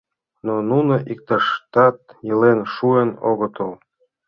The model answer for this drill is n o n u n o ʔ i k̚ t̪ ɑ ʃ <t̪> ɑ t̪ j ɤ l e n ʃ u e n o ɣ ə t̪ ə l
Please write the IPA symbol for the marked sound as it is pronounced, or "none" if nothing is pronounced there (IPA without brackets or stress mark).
t̪